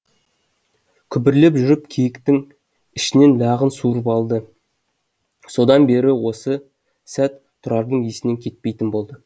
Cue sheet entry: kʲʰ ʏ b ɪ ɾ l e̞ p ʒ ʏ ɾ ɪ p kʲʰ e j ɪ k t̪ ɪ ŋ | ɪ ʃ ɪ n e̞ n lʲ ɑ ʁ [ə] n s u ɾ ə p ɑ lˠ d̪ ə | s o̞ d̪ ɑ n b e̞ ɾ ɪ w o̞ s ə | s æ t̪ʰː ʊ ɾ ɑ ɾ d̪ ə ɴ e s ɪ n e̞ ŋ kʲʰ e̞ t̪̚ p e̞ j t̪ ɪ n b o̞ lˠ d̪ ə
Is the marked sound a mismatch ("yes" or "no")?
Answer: no